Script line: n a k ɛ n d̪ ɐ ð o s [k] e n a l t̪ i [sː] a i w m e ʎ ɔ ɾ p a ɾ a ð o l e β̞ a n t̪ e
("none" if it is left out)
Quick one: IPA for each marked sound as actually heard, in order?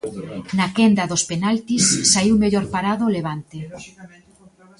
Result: p, sː

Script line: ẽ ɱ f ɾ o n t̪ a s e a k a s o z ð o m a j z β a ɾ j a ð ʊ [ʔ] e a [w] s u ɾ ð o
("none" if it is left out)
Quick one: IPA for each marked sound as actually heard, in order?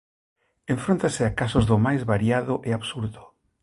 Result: ʔ, β

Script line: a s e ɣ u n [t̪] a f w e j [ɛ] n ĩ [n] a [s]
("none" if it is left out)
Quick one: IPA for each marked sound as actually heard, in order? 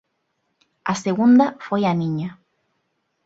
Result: d̪, a, ɲ, none

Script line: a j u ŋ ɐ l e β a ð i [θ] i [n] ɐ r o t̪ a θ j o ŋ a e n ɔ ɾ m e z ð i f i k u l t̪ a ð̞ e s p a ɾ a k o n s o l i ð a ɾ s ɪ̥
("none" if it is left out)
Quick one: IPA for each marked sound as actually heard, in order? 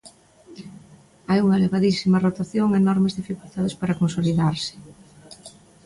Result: s, m

